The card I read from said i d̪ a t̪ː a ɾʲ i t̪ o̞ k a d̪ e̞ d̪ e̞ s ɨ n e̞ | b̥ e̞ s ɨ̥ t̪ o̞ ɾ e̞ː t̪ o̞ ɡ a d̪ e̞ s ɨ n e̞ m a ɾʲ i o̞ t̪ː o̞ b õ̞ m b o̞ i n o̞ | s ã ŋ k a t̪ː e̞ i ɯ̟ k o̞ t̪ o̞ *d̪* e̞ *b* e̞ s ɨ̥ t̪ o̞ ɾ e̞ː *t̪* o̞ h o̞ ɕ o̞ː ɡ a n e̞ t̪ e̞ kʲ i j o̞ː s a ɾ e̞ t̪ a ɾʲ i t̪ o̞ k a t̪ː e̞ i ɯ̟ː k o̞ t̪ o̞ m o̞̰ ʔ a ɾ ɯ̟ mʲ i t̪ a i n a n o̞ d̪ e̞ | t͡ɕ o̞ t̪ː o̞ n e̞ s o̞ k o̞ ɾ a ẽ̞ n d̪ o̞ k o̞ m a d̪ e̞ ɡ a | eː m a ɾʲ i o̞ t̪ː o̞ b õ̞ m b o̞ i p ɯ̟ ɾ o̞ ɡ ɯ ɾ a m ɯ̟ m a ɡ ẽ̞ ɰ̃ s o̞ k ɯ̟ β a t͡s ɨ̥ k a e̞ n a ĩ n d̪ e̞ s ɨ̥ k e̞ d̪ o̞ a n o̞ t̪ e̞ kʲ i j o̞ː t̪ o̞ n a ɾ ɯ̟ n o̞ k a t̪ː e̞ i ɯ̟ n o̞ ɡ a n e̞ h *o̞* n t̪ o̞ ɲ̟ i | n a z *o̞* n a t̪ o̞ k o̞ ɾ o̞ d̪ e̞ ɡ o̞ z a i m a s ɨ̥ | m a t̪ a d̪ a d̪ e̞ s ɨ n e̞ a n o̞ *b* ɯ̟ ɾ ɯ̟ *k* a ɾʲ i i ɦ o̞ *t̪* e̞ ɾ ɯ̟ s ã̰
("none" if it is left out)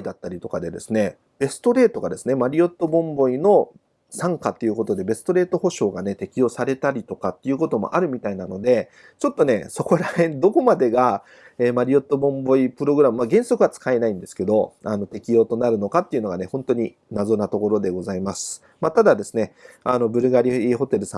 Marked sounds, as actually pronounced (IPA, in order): d̪, b, t̪, õ̞, o̞, b, ɡ, t̪

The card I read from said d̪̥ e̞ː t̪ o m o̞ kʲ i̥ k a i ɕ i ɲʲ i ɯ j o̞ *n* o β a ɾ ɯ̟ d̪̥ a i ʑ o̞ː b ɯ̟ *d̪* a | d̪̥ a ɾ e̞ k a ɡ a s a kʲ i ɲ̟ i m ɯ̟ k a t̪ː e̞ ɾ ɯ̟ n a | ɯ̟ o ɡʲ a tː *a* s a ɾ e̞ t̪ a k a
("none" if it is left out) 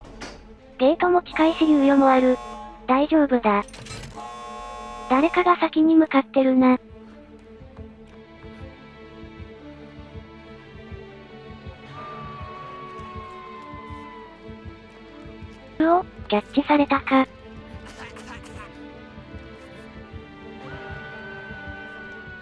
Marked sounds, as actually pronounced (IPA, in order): m, d̪, i

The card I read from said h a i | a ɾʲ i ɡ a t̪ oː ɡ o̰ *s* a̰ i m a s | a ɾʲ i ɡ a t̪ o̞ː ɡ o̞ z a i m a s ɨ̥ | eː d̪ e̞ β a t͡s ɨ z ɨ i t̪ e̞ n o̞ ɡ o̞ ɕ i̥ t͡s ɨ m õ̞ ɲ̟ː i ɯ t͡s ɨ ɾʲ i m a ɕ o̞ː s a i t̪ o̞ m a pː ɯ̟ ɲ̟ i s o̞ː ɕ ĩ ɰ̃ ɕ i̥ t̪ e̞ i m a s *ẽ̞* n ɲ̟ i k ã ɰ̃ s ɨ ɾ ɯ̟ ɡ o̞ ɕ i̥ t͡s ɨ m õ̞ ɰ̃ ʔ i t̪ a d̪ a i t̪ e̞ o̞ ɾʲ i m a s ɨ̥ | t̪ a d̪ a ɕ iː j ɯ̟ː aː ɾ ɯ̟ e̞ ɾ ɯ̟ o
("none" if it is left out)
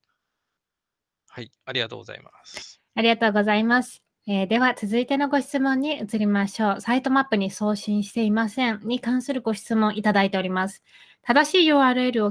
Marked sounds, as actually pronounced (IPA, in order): z, ẽ̞

